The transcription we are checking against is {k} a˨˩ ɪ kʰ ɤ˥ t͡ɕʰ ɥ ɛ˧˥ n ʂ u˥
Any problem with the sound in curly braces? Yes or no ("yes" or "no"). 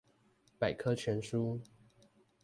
yes